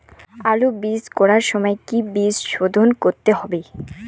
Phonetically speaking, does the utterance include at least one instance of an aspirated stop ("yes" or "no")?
no